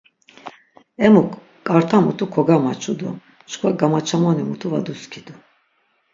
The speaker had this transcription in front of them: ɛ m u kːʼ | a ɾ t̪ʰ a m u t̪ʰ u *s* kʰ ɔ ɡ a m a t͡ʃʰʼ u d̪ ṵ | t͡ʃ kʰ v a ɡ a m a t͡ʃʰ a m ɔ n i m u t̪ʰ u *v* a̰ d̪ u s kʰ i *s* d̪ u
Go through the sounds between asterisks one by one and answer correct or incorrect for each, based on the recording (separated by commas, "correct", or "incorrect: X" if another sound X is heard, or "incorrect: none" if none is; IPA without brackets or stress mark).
incorrect: none, correct, incorrect: none